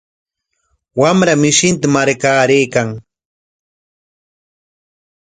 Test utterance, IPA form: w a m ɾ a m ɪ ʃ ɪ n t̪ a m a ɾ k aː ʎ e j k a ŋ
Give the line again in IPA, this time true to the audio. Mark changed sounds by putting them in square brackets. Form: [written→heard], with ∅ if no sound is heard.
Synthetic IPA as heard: w a m ɾ a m ɪ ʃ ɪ n t̪ a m a ɾ k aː [ʎ→ɾ] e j k a ŋ